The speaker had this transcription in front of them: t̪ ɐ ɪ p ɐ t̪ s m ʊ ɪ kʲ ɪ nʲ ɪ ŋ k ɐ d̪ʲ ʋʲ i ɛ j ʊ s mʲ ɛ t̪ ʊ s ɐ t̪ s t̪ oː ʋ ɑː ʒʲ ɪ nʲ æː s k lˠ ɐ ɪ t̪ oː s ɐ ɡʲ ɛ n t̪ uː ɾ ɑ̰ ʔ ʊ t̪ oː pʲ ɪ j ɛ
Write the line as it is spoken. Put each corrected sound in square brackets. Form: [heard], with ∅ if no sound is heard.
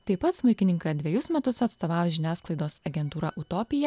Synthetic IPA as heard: t̪ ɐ ɪ p ɐ t̪ s m ʊ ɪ kʲ ɪ nʲ ɪ ŋ k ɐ d̪ʲ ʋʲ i ɛ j ʊ s mʲ ɛ t̪ ʊ s ɐ t̪ s t̪ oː ʋ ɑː ʒʲ ɪ nʲ æː s k lˠ ɐ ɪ [d̪] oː s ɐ ɡʲ ɛ n t̪ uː ɾ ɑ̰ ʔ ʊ t̪ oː pʲ ɪ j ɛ